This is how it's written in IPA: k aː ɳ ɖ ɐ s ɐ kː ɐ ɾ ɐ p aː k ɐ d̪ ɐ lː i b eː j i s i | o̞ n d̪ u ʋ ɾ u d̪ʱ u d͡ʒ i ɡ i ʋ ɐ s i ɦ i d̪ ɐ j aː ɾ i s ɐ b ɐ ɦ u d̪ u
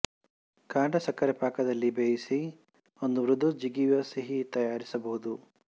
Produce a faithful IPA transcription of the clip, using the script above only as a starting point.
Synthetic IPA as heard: k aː ɳ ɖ ɐ s ɐ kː ɐ ɾ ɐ p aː k ɐ d̪ ɐ lː i b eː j i s i | o̞ n d̪ u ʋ ɾ u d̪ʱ u d͡ʒ i ɡ i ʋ ɐ s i ɦ i t̪ ɐ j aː ɾ i s ɐ b ɐ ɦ u d̪ u